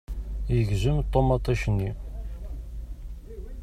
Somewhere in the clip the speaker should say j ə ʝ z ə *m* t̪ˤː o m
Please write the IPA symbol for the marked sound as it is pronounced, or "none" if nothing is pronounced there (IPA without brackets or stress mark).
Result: m